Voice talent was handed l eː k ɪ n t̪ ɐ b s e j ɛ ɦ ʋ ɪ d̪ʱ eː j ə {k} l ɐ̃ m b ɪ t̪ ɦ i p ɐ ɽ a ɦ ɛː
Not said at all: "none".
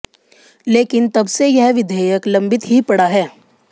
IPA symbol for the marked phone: k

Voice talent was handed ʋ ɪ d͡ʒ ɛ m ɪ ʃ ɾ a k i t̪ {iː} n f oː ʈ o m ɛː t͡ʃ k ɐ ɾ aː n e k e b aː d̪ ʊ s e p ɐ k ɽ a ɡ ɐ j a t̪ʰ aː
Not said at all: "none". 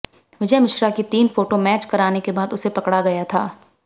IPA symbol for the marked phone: iː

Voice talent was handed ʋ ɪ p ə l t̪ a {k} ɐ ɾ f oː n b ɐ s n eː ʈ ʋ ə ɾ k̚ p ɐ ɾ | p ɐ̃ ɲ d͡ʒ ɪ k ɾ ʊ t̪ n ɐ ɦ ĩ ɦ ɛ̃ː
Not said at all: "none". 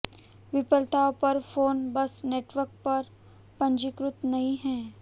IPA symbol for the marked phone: p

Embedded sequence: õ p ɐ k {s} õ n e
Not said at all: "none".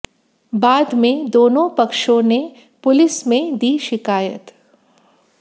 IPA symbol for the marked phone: ʃ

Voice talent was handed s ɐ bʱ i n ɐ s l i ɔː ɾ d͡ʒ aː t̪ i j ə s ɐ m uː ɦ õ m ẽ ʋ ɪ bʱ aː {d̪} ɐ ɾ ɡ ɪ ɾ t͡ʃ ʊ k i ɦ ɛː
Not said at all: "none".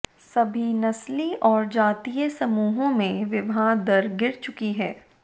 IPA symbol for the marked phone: d̪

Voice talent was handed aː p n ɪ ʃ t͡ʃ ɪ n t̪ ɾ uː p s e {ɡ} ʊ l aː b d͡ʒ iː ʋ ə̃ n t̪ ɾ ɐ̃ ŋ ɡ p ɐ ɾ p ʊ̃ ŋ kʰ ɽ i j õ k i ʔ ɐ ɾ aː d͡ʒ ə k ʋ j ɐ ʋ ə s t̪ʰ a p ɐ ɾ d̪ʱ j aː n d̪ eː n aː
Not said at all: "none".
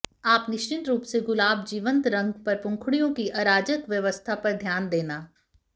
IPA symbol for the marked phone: ɡ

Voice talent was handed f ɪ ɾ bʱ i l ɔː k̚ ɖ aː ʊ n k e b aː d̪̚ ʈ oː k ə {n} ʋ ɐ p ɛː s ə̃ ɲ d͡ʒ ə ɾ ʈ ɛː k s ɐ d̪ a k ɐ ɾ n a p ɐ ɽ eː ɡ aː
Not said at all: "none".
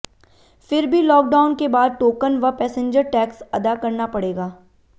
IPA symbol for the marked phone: n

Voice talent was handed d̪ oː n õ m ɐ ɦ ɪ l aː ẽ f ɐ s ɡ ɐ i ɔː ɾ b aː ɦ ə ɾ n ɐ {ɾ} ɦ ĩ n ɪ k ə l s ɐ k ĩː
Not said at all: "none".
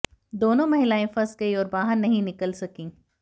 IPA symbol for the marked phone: none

